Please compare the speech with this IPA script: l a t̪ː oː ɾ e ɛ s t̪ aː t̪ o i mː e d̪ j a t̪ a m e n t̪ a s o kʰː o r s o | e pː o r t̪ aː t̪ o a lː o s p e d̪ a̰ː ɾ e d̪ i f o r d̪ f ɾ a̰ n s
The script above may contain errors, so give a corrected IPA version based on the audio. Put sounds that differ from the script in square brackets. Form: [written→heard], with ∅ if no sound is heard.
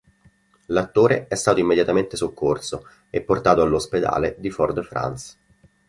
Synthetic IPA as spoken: l a t̪ː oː ɾ e ɛ s t̪ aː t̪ o i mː e d̪ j a t̪ a m e n t̪ [a→e] s o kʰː o r s o | e pː o r t̪ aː t̪ o a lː o s p e d̪ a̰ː [ɾ→l] e d̪ i f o r d̪ f ɾ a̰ n s